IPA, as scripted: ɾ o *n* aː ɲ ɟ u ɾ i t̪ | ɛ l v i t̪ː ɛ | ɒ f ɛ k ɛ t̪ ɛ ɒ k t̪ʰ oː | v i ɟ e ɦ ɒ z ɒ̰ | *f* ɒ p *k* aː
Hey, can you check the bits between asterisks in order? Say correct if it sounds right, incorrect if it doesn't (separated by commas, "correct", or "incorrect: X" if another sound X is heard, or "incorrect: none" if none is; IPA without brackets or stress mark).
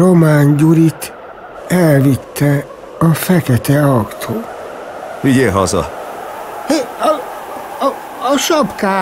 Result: incorrect: m, incorrect: ʃ, correct